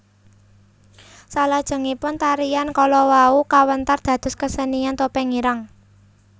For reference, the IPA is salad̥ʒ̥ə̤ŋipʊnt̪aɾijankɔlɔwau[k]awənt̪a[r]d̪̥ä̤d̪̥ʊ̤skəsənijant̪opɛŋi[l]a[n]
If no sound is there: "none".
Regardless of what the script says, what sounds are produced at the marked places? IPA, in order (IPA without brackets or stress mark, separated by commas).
k, r, ɾ, ŋ